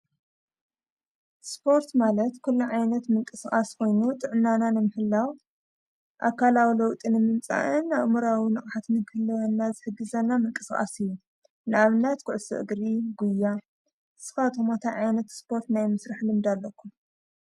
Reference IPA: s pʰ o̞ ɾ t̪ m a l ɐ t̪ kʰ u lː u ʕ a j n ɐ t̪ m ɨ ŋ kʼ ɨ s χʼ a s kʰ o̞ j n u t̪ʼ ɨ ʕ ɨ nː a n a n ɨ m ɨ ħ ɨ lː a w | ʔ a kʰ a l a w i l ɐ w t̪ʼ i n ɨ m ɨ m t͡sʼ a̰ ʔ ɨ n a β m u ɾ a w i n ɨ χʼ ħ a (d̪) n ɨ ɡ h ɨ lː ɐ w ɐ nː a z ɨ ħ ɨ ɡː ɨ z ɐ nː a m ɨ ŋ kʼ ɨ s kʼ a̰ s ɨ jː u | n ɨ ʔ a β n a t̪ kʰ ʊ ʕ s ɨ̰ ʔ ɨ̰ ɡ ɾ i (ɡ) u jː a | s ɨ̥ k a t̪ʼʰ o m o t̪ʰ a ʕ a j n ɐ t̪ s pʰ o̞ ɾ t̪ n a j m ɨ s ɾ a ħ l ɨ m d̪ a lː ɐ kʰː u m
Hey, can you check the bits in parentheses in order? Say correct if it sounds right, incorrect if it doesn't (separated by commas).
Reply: incorrect, correct